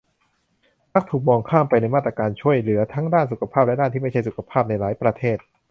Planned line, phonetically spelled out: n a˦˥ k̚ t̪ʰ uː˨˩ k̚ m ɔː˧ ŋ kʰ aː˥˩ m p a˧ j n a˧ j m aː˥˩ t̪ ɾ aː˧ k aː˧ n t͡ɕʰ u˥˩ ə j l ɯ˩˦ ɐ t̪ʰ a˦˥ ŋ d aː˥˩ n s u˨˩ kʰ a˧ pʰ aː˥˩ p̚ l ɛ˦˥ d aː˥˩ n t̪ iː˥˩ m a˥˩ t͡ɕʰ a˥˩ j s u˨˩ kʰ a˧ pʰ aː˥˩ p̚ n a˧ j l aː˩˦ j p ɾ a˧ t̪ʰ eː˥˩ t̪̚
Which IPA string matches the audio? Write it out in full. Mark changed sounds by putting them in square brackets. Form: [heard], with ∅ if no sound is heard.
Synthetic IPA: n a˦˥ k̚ t̪ʰ uː˨˩ k̚ m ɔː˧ ŋ kʰ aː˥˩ m p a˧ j n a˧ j m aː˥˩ t̪ ɾ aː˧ k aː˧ n t͡ɕʰ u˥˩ ə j l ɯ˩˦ ɐ t̪ʰ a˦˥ ŋ d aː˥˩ n s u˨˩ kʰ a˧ pʰ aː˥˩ p̚ l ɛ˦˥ d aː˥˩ n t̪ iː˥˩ m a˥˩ t͡ɕʰ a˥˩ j s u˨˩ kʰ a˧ pʰ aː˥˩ p̚ n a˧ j l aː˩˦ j p ɾ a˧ t̪ʰ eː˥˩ t̪̚